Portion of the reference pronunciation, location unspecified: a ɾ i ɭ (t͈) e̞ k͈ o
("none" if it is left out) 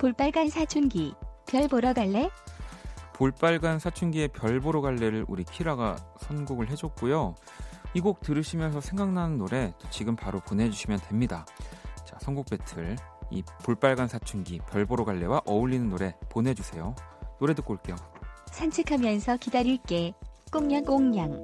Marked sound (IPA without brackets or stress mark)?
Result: k͈